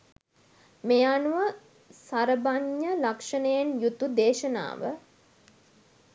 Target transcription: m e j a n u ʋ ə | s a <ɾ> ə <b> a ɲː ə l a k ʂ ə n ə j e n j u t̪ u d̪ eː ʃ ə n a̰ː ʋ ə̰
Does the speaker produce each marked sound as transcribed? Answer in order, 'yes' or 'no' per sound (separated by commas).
yes, yes